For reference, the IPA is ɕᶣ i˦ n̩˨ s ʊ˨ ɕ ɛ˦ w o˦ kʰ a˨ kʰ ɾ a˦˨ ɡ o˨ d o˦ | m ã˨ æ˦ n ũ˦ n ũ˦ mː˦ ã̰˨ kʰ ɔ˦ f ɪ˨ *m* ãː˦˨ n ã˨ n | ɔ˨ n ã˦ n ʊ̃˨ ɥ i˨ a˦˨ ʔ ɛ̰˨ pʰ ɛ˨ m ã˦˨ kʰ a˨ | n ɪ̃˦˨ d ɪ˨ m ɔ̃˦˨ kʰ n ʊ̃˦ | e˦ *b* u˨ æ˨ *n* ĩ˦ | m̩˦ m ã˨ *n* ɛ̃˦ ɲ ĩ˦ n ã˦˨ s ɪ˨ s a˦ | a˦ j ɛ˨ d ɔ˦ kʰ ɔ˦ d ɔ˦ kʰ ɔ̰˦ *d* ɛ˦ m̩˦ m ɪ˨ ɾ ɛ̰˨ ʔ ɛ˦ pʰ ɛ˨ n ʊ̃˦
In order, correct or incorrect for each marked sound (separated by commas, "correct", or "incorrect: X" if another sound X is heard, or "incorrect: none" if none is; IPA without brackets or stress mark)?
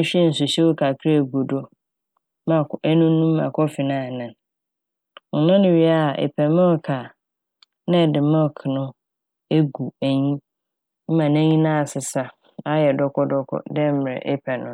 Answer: incorrect: n, incorrect: ɡ, incorrect: ɲ, correct, correct